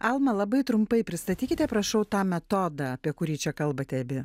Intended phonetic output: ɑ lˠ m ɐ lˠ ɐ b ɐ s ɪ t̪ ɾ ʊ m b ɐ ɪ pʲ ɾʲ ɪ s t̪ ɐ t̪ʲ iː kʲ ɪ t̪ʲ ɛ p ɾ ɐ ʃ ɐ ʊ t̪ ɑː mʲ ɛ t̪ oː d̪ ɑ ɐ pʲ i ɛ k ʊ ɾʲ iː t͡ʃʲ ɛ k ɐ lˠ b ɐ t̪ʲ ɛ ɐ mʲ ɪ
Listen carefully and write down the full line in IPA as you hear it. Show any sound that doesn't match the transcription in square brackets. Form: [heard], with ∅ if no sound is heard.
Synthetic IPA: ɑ lˠ m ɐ lˠ ɐ b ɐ [∅] ɪ t̪ ɾ ʊ m [p] ɐ ɪ pʲ ɾʲ ɪ s t̪ ɐ t̪ʲ iː kʲ ɪ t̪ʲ ɛ p ɾ ɐ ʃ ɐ ʊ t̪ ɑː mʲ ɛ t̪ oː d̪ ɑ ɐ pʲ i ɛ k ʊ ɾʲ iː t͡ʃʲ ɛ k ɐ lˠ b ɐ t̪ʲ ɛ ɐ [bʲ] ɪ